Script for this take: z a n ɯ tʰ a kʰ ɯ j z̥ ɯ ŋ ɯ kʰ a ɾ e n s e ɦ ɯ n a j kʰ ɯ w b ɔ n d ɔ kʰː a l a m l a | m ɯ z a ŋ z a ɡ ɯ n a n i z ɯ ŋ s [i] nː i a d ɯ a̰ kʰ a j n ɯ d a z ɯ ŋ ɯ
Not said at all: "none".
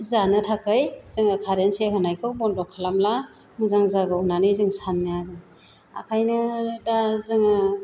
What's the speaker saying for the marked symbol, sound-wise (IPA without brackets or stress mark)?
a